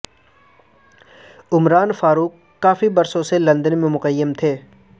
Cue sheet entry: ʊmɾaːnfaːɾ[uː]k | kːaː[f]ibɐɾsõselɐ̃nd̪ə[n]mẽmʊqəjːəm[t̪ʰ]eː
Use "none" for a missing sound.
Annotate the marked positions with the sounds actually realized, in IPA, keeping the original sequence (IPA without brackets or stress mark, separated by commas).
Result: uː, f, n, t̪ʰ